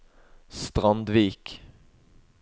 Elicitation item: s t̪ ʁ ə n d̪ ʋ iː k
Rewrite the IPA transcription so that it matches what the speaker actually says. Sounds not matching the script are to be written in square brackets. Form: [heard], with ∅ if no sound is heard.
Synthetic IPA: s t̪ ʁ [ɑ] n d̪ ʋ iː k